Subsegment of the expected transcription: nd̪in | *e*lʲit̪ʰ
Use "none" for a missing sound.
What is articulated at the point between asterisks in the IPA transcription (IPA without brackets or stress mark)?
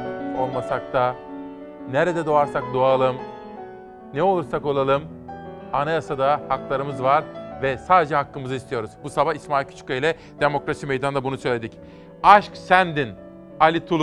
a